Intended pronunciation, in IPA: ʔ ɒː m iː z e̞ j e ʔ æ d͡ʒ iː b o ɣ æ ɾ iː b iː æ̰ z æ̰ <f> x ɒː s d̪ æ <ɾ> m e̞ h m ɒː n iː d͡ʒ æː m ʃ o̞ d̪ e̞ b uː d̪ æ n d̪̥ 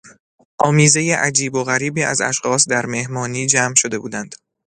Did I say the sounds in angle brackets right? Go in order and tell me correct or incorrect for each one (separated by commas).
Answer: incorrect, correct